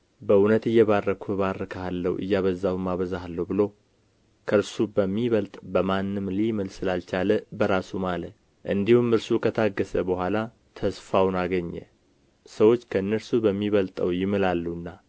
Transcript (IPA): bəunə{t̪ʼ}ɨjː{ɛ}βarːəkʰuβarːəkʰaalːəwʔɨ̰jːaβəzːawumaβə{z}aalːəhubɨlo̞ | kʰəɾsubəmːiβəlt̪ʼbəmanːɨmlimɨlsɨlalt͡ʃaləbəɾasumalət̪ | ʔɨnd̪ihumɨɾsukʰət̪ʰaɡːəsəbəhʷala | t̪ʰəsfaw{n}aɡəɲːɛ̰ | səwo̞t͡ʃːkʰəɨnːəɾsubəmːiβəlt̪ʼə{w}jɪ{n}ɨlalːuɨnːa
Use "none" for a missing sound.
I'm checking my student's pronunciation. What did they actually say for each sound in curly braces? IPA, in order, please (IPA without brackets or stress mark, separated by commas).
t̪, ɛ, z, n, w, m